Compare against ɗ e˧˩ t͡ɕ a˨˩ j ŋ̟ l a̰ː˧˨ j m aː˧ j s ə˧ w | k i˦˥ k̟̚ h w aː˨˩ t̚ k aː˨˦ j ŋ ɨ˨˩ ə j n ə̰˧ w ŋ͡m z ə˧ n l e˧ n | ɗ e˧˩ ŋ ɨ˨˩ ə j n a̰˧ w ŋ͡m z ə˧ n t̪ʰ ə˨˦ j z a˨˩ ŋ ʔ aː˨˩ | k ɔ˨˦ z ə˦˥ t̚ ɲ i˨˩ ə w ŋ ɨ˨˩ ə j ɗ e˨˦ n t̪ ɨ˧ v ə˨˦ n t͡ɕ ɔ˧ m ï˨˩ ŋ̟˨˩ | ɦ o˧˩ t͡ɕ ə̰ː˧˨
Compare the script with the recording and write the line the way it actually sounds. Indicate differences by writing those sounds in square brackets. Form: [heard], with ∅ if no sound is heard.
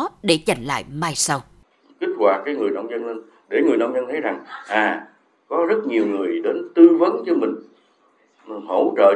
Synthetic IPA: ɗ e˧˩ t͡ɕ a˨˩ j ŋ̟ l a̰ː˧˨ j m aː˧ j s [a˧] w | k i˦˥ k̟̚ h w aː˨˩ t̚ k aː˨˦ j ŋ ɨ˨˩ ə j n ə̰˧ w ŋ͡m z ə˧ n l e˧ n | ɗ e˧˩ ŋ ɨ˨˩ ə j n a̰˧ w ŋ͡m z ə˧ n t̪ʰ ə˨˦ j z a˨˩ ŋ ʔ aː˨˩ | k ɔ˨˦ z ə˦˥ t̚ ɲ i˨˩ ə w ŋ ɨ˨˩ ə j ɗ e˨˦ n t̪ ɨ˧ v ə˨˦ n t͡ɕ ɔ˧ m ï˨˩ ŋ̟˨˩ | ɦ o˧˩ t͡ɕ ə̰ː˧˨